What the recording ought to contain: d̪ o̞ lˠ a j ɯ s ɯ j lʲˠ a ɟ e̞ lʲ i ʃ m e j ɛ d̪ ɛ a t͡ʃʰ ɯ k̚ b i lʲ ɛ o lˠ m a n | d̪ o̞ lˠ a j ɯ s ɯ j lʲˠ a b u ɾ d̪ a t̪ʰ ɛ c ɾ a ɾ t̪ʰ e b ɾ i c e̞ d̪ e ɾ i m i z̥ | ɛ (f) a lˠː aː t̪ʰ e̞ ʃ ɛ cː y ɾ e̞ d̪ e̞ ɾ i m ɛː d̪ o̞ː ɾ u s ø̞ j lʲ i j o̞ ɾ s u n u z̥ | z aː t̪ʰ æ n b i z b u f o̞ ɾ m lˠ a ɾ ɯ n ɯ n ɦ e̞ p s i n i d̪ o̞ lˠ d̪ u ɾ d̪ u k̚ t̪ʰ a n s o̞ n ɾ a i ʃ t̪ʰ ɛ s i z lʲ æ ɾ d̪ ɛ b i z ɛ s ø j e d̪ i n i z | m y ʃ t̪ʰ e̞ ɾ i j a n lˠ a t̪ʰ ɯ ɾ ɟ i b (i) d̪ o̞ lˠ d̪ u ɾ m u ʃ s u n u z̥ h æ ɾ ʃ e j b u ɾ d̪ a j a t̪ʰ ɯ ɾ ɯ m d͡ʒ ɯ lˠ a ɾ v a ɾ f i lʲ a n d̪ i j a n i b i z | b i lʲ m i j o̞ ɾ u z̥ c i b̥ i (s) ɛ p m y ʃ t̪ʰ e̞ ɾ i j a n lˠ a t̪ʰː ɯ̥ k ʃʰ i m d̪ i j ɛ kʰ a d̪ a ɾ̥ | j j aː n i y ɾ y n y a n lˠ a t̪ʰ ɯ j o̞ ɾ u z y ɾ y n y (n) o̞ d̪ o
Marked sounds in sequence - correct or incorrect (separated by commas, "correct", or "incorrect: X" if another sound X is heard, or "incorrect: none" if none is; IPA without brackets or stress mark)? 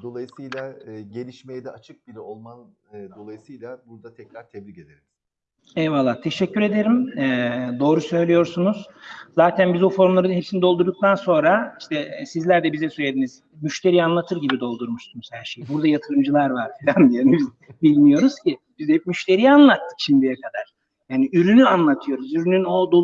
incorrect: v, correct, incorrect: z, correct